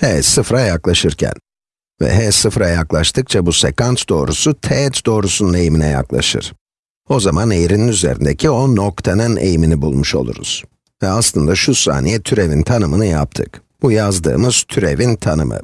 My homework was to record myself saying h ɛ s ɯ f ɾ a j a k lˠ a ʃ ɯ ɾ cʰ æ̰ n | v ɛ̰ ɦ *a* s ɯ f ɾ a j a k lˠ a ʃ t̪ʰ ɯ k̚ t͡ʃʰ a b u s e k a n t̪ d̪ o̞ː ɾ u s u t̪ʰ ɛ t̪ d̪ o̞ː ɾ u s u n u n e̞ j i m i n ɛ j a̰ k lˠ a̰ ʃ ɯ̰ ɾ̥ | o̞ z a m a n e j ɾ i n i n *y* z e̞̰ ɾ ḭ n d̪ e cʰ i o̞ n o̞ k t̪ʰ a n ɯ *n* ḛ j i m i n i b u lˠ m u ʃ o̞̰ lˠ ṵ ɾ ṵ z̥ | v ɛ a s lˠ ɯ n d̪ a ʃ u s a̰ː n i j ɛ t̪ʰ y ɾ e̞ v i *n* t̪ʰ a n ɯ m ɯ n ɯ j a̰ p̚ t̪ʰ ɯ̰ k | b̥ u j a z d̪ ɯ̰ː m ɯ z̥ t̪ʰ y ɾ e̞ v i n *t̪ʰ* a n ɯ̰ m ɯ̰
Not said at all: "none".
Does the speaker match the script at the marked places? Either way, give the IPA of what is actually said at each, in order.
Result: ɛ, y, n, n, t̪ʰ

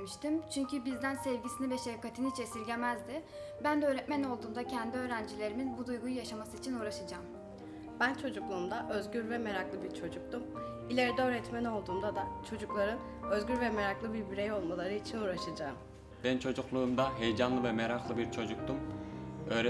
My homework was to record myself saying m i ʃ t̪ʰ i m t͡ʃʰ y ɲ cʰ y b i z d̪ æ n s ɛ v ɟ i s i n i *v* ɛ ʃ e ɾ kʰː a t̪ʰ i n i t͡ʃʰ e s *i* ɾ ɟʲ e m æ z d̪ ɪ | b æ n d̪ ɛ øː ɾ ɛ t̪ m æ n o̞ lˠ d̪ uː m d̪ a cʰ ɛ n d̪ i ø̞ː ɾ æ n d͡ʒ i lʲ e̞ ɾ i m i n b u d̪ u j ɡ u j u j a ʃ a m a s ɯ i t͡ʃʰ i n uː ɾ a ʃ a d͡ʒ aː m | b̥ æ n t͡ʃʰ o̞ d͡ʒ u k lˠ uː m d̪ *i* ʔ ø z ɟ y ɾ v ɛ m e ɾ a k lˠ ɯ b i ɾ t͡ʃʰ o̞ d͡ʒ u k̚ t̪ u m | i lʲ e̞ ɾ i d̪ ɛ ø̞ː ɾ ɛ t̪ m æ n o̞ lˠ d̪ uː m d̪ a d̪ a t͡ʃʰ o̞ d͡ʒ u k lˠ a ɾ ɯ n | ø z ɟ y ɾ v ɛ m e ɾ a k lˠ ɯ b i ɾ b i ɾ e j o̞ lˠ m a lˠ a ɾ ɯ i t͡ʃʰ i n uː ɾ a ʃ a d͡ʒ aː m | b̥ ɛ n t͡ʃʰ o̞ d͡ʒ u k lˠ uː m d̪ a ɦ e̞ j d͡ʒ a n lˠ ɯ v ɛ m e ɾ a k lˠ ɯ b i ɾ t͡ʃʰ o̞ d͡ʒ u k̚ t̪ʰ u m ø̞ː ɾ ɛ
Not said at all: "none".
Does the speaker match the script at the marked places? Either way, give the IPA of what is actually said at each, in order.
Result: v, i, a

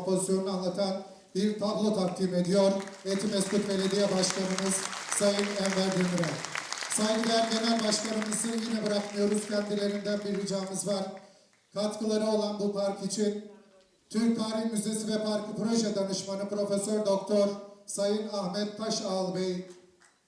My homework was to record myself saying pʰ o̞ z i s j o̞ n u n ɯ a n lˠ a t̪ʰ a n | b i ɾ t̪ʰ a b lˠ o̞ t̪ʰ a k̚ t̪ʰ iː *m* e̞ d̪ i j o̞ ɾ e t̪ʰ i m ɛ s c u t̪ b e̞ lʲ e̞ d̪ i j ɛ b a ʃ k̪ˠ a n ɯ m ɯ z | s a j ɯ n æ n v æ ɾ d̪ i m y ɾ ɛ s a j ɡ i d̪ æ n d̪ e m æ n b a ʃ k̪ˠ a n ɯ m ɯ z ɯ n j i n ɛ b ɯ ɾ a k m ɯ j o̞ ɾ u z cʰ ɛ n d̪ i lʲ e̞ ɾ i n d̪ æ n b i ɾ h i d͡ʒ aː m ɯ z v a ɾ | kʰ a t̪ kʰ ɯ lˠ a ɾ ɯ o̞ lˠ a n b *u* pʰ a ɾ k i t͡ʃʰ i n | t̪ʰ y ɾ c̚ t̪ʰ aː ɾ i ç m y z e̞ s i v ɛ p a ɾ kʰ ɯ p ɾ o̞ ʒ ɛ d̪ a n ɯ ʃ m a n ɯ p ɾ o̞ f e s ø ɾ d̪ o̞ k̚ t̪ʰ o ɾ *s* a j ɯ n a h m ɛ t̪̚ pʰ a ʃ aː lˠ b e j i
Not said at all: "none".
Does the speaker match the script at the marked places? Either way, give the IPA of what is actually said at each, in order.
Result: m, u, s

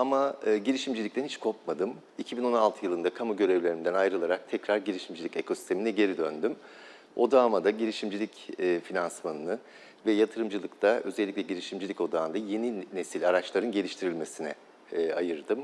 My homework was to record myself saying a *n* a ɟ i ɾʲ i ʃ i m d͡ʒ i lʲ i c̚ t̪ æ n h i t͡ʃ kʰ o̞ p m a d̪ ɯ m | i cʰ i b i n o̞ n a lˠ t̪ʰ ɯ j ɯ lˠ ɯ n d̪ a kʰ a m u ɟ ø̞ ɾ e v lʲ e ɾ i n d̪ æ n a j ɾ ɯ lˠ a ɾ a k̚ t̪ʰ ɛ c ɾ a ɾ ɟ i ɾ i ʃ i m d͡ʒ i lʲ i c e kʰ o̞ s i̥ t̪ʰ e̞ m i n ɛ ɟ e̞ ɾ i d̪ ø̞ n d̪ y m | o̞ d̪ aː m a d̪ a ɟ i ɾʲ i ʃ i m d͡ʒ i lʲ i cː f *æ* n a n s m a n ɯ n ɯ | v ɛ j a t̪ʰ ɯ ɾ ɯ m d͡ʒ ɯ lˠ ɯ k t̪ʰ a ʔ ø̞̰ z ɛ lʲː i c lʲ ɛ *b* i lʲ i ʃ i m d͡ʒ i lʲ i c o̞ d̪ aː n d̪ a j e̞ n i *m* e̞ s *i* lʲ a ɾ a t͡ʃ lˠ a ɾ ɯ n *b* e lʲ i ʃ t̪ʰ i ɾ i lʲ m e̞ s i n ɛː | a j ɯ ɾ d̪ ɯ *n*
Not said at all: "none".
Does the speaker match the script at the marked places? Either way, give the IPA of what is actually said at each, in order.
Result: m, i, ɟ, n, i, ɟ, m

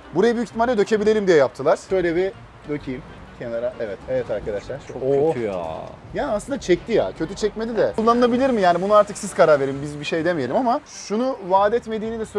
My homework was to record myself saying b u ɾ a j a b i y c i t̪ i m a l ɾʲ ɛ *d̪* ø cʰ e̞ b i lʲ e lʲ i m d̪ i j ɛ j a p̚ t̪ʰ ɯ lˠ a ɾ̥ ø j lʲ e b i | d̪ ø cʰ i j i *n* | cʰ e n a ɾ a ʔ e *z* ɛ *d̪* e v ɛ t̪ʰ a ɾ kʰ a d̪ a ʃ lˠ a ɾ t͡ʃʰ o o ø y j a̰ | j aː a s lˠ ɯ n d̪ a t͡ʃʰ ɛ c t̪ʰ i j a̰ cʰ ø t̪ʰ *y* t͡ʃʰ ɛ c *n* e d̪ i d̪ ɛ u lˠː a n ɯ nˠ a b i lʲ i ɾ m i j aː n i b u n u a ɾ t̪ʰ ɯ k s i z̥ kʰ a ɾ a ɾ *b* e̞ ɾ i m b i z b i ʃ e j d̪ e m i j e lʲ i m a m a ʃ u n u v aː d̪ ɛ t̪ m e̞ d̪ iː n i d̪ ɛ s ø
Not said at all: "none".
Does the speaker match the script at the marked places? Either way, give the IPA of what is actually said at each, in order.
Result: d̪, m, v, t̪, y, m, v

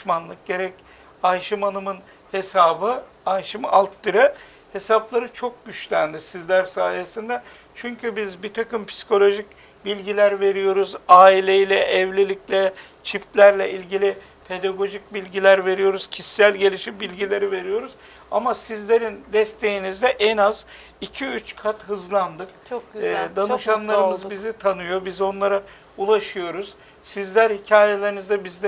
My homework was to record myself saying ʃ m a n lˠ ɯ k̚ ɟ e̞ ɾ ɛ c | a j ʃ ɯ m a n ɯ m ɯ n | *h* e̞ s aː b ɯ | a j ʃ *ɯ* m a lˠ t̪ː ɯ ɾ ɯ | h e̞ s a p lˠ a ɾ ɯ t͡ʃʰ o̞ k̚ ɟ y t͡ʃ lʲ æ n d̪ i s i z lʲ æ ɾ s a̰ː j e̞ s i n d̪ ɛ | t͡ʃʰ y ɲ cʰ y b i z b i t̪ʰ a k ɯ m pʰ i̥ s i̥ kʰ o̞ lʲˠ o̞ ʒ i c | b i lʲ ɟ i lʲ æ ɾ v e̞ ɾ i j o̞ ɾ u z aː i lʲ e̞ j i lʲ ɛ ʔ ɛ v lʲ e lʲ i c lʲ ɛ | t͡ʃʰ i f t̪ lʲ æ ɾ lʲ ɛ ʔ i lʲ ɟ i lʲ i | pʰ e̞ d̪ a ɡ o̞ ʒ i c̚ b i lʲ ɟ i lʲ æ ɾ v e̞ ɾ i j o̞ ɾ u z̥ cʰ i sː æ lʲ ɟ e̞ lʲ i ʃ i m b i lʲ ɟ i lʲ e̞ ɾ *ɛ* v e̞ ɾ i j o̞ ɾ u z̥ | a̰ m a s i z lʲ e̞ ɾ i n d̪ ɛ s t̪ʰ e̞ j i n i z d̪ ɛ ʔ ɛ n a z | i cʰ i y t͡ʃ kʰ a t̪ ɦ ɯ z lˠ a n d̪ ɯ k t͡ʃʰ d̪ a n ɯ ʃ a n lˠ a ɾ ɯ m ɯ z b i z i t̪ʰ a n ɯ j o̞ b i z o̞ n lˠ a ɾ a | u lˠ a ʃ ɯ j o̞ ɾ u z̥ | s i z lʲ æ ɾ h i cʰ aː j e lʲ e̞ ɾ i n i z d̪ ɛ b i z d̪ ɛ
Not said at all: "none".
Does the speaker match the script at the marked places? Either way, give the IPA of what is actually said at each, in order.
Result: h, ɯ, i

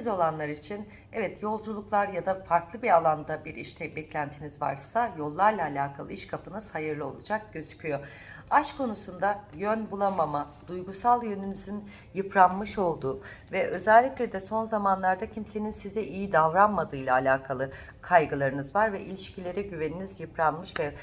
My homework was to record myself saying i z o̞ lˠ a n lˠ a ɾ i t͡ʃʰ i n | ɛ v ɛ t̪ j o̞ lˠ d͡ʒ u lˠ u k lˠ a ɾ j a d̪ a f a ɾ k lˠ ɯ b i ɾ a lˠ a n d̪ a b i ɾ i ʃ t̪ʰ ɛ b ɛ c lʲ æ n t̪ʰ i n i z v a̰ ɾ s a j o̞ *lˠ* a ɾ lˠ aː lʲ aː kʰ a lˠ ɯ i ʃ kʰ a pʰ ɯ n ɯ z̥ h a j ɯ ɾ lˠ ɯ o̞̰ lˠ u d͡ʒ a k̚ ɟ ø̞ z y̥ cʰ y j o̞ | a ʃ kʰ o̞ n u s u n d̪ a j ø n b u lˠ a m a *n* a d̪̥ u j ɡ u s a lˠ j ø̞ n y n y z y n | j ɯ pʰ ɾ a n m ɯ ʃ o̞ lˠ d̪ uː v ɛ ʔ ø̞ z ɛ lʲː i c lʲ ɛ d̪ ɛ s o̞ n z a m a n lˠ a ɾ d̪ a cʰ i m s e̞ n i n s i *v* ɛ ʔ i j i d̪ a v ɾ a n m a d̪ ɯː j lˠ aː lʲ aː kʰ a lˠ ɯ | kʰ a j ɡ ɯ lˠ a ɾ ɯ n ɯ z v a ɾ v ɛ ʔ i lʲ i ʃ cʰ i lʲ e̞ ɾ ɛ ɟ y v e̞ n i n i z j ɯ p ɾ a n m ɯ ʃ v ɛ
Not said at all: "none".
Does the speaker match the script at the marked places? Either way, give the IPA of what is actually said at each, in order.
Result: lˠː, m, z

